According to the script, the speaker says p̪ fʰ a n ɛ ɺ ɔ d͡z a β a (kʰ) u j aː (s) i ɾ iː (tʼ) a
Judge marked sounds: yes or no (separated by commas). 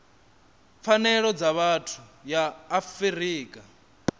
no, no, no